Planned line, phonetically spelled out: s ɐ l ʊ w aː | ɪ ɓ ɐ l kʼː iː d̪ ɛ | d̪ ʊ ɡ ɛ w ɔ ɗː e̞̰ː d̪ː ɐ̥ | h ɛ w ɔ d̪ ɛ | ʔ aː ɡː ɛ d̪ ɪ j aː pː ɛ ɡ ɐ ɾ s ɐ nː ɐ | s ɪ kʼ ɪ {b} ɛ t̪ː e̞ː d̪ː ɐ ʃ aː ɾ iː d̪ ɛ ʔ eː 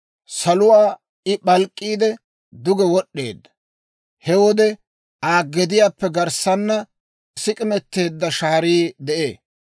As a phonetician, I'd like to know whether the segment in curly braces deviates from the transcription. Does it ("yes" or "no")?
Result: yes